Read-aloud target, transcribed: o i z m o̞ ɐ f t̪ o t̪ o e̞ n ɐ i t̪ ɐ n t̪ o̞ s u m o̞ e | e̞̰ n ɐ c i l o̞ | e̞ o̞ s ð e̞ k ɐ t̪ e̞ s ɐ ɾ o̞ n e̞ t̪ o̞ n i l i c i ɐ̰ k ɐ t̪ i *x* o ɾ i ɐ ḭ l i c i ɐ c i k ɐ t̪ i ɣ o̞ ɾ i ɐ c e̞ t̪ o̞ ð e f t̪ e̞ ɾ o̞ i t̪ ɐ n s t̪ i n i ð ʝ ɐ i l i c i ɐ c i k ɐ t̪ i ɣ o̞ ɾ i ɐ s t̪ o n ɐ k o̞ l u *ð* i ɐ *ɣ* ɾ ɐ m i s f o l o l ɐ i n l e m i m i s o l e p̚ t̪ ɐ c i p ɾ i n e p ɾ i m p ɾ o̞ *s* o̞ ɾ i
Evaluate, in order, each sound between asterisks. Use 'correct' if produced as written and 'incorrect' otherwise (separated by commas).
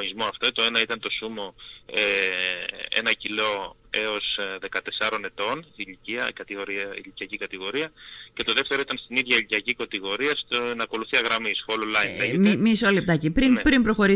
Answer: incorrect, incorrect, correct, incorrect